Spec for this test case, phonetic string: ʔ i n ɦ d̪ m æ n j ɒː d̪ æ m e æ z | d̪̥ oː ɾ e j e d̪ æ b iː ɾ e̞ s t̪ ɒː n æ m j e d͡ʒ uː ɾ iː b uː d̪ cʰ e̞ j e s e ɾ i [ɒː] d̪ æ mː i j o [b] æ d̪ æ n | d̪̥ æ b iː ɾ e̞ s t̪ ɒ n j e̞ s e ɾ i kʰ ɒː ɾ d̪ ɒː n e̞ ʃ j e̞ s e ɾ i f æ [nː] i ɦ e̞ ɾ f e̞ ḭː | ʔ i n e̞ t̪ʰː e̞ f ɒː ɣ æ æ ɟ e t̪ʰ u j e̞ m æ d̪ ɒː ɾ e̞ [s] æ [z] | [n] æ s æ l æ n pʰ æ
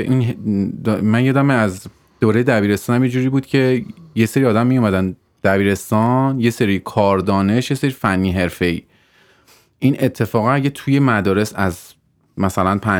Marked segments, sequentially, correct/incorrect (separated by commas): correct, incorrect, correct, correct, correct, incorrect